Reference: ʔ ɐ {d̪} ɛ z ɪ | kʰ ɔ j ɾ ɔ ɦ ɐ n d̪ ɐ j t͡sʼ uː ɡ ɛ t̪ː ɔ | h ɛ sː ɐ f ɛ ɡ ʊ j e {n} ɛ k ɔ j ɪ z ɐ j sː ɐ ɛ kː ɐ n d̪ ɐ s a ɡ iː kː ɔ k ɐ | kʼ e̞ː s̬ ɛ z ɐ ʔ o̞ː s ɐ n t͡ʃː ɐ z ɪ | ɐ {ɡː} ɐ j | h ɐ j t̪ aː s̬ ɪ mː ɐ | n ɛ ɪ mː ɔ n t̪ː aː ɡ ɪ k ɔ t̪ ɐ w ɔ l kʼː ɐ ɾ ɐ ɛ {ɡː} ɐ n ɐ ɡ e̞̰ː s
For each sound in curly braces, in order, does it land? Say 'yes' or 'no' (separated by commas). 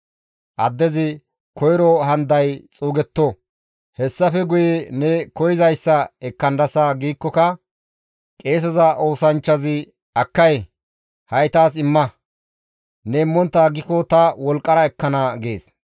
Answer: no, yes, no, no